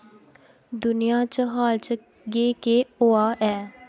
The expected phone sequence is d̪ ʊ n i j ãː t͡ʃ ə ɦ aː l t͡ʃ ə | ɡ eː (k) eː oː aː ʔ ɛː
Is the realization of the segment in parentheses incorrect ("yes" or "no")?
no